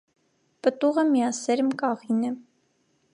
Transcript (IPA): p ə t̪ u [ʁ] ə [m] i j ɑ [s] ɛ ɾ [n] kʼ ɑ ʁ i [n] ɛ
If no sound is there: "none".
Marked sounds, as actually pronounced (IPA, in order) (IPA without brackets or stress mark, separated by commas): ʁ, m, s, m, n